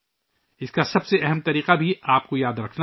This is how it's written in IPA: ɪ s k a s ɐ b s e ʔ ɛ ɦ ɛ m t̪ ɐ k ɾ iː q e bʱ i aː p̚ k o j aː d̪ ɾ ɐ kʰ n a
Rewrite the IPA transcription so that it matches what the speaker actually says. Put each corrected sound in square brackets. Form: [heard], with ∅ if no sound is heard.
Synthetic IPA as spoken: ɪ s k a s ɐ b s e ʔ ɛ ɦ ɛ m t̪ ɐ [∅] ɾ iː q [a] bʱ i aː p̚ k o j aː d̪ ɾ ɐ kʰ n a